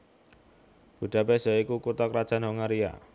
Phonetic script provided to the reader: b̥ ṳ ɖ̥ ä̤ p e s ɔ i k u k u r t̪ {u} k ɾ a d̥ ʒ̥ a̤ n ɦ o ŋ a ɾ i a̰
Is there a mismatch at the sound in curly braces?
yes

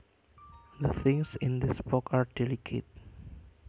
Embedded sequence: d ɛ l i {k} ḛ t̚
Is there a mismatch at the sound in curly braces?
yes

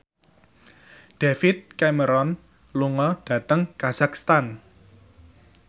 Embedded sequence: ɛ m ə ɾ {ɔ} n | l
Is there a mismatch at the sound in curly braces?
no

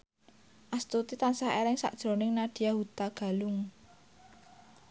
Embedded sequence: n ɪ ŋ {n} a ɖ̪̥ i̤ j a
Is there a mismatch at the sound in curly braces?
no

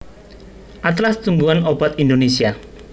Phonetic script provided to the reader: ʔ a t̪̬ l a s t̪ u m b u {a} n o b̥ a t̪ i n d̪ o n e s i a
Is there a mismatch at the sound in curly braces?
no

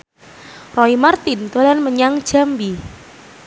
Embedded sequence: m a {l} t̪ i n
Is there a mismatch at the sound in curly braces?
yes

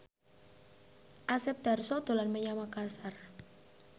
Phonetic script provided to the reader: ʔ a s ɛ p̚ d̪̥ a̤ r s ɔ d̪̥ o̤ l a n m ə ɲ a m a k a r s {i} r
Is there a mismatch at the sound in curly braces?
yes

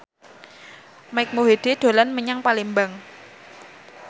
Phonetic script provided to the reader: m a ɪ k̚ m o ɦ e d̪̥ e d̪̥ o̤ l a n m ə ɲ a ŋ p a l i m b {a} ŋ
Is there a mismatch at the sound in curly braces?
no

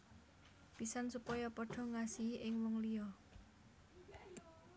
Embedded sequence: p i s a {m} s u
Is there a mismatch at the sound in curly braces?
yes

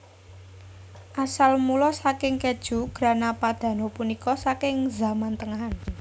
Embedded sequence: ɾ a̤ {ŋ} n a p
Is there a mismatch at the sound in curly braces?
yes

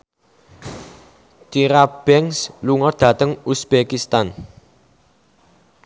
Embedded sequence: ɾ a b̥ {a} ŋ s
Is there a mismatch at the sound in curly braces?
yes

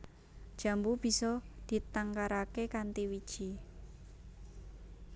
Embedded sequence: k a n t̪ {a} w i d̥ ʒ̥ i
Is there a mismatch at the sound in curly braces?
yes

